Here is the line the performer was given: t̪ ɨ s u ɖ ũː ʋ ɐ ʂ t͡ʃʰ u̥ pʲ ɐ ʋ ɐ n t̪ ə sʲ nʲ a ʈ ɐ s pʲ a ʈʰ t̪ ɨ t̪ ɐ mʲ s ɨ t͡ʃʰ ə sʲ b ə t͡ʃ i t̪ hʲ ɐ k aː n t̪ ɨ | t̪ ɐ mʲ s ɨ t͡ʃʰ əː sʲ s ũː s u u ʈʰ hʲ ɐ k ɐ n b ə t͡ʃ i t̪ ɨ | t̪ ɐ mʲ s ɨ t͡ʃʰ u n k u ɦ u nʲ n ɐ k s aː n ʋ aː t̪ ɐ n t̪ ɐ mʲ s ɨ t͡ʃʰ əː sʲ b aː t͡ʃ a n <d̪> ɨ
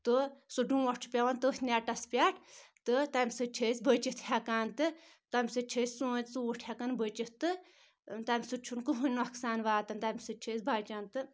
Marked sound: incorrect: t̪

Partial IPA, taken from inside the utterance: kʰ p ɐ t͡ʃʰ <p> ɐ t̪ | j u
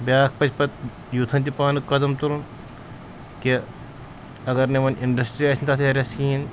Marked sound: correct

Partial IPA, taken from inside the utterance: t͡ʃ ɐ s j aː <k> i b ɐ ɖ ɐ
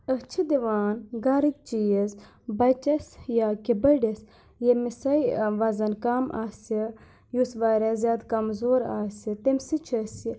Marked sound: correct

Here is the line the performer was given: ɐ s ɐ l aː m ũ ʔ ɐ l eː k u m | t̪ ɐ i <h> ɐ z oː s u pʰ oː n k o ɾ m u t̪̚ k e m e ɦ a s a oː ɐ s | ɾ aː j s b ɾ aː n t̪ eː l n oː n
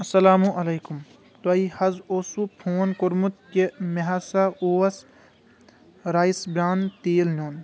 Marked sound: correct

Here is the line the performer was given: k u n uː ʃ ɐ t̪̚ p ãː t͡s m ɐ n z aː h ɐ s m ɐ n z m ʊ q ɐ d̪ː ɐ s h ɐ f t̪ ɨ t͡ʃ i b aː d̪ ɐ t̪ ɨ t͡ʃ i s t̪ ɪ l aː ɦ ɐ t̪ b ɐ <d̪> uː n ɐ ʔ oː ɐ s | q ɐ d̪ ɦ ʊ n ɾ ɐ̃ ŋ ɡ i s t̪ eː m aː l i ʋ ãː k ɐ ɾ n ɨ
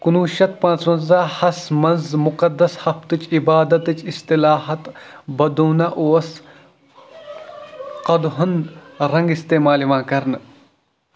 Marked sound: correct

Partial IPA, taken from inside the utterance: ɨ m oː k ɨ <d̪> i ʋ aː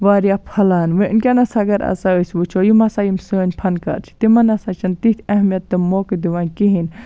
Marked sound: correct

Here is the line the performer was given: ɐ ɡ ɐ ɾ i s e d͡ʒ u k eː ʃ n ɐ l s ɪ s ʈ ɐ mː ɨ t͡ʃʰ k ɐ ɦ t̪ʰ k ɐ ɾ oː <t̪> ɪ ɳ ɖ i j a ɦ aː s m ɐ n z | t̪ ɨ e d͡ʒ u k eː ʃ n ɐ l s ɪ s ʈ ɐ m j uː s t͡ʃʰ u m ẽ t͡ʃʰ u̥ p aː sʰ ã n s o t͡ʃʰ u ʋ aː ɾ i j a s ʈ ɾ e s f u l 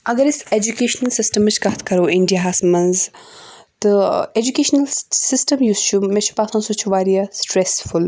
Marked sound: incorrect: none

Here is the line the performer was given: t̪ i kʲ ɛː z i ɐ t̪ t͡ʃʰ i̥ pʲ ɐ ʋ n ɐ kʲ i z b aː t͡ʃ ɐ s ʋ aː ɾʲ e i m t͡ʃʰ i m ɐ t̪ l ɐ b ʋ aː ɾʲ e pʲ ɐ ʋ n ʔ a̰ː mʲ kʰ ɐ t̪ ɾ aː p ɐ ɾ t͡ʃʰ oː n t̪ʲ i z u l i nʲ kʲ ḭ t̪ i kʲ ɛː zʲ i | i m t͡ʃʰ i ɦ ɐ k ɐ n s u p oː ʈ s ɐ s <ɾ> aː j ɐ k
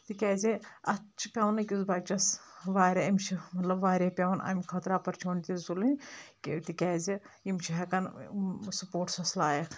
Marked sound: incorrect: l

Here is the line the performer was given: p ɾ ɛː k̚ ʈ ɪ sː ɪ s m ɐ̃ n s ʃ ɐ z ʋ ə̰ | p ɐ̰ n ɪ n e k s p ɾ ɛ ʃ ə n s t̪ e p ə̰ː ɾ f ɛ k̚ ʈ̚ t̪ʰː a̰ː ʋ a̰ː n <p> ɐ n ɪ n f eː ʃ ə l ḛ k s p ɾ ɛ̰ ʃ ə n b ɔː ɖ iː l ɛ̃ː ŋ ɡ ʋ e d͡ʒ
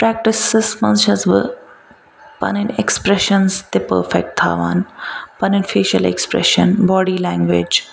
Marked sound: correct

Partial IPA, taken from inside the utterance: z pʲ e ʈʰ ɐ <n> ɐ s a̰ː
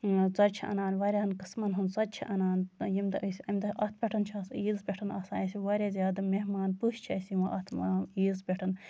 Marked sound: correct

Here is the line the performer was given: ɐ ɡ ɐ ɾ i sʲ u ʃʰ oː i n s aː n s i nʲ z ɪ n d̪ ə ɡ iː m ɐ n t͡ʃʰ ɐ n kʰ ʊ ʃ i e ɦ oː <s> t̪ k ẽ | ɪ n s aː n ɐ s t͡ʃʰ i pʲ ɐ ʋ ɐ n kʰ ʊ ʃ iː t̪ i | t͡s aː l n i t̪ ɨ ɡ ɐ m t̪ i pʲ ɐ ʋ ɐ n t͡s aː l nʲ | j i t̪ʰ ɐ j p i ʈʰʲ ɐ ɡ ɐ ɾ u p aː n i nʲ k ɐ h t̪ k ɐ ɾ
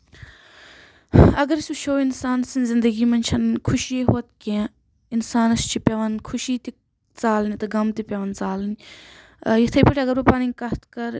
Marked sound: incorrect: none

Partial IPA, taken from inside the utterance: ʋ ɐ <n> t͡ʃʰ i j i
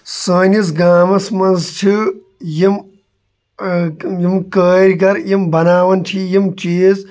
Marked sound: correct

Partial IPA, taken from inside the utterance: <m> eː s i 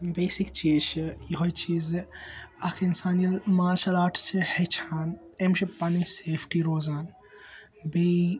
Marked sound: incorrect: b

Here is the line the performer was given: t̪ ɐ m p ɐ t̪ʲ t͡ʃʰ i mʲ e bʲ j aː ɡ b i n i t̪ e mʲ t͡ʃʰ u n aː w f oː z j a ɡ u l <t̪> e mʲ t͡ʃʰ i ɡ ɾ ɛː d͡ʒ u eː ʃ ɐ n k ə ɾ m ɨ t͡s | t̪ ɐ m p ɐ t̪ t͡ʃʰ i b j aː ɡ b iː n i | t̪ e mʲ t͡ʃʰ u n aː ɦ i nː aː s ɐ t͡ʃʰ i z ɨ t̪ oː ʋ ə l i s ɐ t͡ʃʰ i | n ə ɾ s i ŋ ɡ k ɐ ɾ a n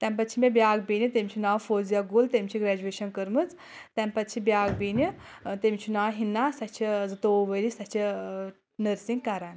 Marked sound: correct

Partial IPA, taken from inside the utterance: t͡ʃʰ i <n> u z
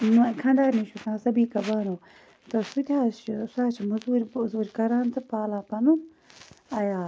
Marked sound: incorrect: m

